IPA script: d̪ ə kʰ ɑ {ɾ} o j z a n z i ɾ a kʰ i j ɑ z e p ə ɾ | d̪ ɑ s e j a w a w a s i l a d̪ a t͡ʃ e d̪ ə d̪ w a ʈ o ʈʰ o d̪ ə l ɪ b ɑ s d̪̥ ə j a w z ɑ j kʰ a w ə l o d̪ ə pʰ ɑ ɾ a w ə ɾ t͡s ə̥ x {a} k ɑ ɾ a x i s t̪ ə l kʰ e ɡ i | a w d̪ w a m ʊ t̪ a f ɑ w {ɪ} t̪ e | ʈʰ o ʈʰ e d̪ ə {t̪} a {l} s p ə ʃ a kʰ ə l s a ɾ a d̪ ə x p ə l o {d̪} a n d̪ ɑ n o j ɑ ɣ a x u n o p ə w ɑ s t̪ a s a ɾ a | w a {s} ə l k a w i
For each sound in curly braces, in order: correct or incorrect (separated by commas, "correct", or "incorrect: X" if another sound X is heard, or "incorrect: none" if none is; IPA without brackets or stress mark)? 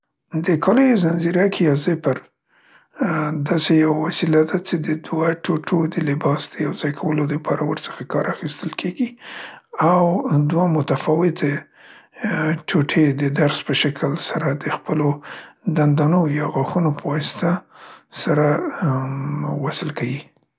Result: incorrect: l, correct, correct, incorrect: d̪, incorrect: ɾ, correct, correct